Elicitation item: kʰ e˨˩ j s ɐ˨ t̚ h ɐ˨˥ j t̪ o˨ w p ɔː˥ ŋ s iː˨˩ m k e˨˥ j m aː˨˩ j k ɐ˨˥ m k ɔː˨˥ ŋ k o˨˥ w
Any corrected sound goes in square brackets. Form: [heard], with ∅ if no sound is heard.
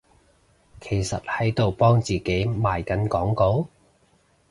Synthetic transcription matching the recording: kʰ e˨˩ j s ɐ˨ t̚ h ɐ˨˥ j t̪ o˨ w p ɔː˥ ŋ [t͡s] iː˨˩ [∅] k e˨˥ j m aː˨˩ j k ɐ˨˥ [n] k ɔː˨˥ ŋ k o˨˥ w